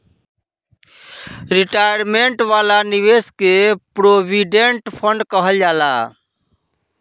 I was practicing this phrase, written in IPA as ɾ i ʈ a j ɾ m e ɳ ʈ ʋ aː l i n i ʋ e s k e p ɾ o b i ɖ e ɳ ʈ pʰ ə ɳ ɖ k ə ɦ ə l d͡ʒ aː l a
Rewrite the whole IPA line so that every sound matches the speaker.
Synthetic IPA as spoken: ɾ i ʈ a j ɾ m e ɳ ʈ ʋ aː l a n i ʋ e s k e p ɾ o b i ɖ e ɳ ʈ pʰ ə ɳ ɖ k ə ɦ ə l d͡ʒ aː l a